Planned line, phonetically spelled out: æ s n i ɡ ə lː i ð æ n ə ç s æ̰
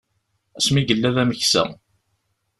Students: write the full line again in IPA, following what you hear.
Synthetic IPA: æ s m i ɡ ə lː æ ð æ m ə ç s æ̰